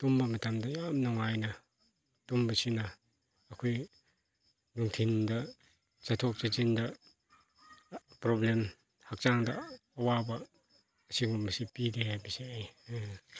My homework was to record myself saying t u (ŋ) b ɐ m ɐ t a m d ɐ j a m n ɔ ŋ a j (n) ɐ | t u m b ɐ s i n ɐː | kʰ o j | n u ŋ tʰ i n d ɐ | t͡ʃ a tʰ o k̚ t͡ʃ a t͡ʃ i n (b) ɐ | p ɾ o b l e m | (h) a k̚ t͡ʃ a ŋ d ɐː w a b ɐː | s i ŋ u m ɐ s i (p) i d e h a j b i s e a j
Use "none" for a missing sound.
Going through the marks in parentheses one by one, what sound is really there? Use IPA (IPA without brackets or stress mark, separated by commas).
m, n, d, h, p